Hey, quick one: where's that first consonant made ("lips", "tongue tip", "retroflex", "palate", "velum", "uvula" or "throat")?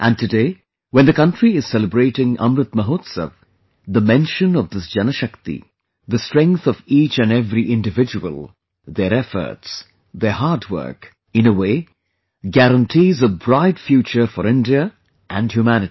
throat